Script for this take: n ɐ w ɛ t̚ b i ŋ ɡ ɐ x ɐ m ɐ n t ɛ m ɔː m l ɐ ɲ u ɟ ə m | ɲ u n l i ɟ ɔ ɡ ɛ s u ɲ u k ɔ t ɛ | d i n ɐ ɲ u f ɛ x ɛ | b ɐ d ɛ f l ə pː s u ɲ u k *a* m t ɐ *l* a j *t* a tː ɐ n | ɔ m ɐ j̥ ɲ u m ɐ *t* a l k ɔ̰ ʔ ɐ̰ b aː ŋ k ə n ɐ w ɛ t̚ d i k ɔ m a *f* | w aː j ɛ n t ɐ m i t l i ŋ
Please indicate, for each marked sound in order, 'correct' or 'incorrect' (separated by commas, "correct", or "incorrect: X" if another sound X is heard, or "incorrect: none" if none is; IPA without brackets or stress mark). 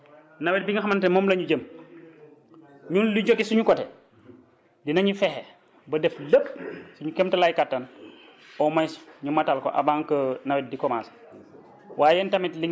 incorrect: ɛ, correct, incorrect: k, correct, incorrect: s